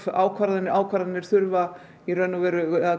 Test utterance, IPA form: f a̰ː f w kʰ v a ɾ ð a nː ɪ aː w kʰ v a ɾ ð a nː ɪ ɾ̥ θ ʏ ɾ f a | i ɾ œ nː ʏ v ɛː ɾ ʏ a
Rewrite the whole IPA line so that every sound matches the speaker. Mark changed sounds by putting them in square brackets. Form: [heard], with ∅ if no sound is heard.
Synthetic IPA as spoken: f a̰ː [∅] w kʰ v a ɾ ð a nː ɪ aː w kʰ v a ɾ ð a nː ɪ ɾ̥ θ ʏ ɾ [v] a | i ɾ œ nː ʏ v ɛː ɾ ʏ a